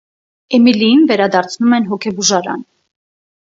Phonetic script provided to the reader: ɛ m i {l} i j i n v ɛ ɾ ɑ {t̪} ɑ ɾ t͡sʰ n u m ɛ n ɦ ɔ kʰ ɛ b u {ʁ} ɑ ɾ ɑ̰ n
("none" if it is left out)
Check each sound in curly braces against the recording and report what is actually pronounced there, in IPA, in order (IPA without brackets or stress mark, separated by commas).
l, d̪, ʒ